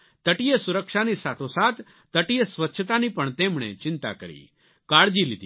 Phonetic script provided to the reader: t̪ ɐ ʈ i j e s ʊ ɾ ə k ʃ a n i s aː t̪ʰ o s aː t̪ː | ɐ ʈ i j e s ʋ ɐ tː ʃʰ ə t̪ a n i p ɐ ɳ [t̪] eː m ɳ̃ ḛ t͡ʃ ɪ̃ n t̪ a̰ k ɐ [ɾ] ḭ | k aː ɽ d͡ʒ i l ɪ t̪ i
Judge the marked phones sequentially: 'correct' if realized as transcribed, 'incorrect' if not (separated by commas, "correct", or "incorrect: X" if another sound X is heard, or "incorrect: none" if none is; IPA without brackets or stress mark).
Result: correct, correct